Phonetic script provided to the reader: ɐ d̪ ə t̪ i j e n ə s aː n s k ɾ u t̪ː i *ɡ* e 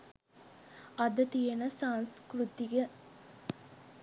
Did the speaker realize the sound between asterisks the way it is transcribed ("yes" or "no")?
yes